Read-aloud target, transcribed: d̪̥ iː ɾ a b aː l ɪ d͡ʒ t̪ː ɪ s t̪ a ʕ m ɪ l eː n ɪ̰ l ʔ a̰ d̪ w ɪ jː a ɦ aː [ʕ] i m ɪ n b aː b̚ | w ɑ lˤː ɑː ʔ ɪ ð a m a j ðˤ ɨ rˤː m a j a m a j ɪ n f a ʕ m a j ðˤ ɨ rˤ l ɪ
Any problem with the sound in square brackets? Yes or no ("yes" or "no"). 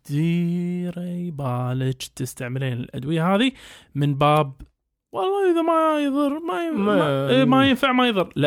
yes